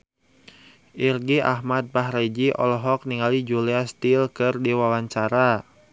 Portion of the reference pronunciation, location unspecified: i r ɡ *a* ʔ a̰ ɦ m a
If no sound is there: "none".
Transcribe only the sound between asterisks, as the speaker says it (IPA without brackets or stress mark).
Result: i